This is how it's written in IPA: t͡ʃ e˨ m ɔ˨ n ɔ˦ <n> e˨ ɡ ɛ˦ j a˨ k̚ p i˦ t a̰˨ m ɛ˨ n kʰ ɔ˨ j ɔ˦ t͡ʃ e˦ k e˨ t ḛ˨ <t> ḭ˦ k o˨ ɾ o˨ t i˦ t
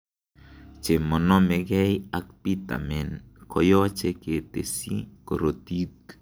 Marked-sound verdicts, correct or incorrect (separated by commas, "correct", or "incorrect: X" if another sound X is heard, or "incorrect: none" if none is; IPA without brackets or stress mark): incorrect: m, incorrect: s